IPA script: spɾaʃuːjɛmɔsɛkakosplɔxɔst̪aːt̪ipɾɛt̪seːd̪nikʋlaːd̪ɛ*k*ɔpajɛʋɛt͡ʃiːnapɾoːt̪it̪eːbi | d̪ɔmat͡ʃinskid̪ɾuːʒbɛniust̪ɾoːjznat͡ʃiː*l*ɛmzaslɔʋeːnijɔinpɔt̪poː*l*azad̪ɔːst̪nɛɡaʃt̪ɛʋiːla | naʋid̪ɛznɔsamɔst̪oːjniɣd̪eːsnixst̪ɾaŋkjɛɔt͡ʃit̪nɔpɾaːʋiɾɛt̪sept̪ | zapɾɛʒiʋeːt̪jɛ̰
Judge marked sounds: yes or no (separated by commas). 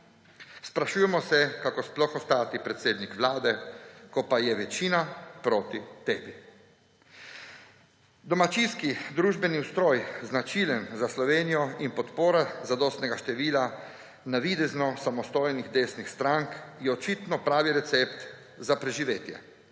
yes, yes, no